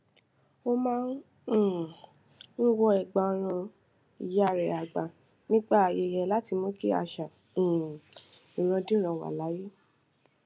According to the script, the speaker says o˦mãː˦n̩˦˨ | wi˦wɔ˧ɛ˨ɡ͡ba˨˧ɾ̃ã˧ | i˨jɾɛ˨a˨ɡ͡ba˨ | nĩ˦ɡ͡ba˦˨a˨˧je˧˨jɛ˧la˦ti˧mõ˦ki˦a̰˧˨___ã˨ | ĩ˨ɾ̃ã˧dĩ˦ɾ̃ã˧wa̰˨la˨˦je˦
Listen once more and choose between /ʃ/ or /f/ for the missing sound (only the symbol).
ʃ